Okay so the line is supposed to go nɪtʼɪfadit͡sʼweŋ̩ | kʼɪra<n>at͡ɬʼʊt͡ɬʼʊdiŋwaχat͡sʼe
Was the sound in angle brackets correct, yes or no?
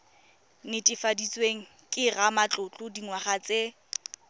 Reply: no